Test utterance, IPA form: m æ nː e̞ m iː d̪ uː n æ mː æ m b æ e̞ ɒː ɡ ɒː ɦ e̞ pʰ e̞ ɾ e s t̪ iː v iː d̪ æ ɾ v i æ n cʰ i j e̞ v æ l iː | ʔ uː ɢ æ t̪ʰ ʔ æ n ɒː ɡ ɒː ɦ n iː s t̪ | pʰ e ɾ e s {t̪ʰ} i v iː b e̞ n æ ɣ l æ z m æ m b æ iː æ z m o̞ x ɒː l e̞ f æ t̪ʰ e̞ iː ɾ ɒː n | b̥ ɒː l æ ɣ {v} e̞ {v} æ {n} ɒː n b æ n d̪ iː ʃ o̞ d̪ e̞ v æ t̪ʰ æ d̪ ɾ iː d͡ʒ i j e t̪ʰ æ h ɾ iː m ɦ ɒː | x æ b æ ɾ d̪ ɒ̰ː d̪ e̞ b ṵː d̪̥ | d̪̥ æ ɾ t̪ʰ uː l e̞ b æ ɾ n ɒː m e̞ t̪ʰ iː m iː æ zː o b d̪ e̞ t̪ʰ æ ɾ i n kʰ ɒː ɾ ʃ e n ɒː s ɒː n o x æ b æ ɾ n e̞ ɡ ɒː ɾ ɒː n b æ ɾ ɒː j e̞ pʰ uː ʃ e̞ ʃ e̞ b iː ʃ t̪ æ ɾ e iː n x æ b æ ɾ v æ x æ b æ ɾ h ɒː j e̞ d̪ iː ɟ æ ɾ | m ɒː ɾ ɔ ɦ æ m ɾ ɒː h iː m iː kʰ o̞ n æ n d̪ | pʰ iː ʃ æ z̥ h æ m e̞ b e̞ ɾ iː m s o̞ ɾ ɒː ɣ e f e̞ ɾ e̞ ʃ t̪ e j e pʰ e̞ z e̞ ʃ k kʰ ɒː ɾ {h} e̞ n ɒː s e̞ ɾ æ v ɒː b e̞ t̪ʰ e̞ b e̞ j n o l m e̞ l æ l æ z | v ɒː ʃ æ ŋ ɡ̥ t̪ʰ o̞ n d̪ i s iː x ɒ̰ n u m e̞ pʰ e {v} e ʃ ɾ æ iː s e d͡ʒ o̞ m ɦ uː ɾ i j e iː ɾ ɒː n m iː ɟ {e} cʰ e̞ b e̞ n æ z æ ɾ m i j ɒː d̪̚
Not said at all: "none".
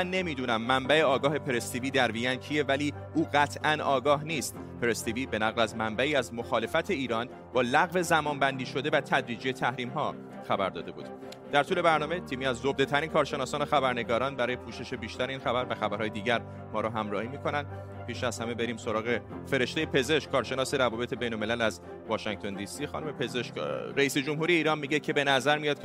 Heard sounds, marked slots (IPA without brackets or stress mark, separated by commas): t̪, v, z, m, ʃ, z, e